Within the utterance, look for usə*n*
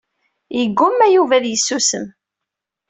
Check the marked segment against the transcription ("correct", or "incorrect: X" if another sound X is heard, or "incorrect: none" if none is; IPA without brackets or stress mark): incorrect: m